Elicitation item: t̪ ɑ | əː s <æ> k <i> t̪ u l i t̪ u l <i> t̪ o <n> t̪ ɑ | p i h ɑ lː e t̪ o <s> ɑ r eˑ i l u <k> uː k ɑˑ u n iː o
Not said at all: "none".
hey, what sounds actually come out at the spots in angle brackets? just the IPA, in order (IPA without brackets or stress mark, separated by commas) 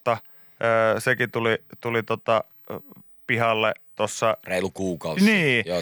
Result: e, i, i, none, sː, k